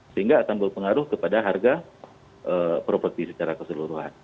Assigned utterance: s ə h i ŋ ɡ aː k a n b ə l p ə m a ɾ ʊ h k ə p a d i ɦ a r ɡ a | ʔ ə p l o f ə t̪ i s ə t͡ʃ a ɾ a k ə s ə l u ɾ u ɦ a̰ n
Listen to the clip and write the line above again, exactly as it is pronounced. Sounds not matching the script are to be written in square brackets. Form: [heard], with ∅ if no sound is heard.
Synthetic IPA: s ə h i ŋ ɡ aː k a n b ə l p ə [ŋ] a ɾ ʊ h k ə p a d [a] ɦ a r ɡ a | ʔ ə p [ɾ] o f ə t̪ i s ə t͡ʃ a ɾ a k ə s ə l u ɾ u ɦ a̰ n

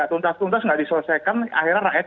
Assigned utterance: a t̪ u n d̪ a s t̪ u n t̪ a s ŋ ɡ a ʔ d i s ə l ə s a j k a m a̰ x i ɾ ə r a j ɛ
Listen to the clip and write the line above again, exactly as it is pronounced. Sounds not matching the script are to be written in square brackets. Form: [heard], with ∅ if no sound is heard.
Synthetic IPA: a t̪ u n [t̪] a s t̪ u n t̪ a s ŋ ɡ a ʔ d i s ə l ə s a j k a [n] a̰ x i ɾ [a] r a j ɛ

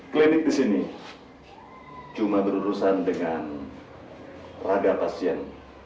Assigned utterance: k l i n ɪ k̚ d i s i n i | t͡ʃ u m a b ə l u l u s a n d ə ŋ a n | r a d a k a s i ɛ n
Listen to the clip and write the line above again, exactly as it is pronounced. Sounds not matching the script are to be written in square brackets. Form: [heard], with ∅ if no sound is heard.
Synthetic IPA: k l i n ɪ k̚ d i s i n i | t͡ʃ u m a b ə [ɾ] u [ɾ] u s a n d ə ŋ a n | r a d a [p] a s i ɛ n

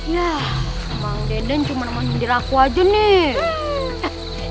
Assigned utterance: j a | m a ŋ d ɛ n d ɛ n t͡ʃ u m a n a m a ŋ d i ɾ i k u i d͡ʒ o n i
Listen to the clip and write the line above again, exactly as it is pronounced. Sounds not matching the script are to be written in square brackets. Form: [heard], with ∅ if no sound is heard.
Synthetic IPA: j a | m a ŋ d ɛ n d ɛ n t͡ʃ u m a n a m a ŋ d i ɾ [a] k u [a] d͡ʒ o n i

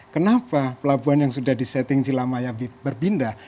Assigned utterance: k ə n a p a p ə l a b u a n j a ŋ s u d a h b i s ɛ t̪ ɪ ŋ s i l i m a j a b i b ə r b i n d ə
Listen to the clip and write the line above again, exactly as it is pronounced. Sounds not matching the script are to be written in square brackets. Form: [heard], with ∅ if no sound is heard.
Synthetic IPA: k ə n a p a p ə l a b u a n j a ŋ s u d a h [d] i s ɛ t̪ ɪ ŋ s i l [a] m a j a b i b ə r b i n d [a]

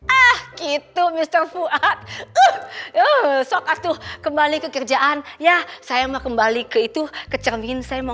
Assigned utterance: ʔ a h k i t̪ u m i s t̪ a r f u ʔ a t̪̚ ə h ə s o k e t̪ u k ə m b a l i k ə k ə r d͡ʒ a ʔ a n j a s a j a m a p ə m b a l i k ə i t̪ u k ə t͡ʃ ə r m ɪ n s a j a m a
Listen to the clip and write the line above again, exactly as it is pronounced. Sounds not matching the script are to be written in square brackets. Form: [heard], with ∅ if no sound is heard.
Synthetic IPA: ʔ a h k i t̪ u m i s t̪ [ə] r f u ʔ a t̪̚ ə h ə s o k [a] t̪ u k ə m b a l i k ə k ə r d͡ʒ a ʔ a n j a s a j a m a [k] ə m b a l i k ə i t̪ u k ə t͡ʃ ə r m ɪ n s a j a m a

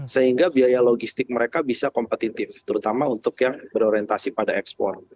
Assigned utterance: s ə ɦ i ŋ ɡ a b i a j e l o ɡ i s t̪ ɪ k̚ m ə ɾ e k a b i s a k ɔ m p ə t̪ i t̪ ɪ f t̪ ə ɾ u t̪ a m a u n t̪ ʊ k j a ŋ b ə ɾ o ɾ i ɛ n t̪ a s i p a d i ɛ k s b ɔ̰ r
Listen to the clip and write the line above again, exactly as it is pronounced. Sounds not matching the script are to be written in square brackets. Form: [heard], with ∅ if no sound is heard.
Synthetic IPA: s ə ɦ i ŋ ɡ a b i a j [a] l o ɡ i s t̪ ɪ k̚ m ə ɾ e k a b i s a k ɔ m p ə t̪ i t̪ ɪ f t̪ ə ɾ u t̪ a m a u n t̪ ʊ k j a ŋ b ə ɾ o ɾ i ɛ n t̪ a s i p a d [a] ɛ k s [p] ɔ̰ r

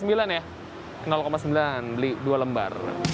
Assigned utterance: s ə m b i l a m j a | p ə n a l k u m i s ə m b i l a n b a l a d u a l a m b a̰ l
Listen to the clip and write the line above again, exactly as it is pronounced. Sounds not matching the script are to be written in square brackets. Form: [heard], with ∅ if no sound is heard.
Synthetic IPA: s ə m b i l a [n] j a | [k] ə n a l k [o] m [a] s ə m b i l a n b [ə] l [i] d u a l [ə] m b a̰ [r]

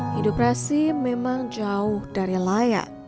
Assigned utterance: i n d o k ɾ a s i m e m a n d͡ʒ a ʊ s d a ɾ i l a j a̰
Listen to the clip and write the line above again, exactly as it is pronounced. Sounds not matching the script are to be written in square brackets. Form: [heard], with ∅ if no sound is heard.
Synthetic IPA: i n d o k ɾ a s i m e m a [ŋ] d͡ʒ a ʊ [h] d a ɾ i l a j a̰

